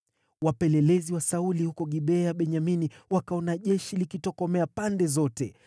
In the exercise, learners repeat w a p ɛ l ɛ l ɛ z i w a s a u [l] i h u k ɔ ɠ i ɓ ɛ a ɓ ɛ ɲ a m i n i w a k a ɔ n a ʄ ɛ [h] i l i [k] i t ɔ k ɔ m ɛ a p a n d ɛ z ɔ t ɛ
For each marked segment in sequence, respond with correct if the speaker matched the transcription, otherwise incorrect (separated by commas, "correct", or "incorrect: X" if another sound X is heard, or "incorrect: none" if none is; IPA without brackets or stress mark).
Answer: correct, incorrect: ʃ, correct